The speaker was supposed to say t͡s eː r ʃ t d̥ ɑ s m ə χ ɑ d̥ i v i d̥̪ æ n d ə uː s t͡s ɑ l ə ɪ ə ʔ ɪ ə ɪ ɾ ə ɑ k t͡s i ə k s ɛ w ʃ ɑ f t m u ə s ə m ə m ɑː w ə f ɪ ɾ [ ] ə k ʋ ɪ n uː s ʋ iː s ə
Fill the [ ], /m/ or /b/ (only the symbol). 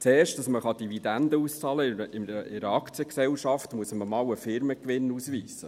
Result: m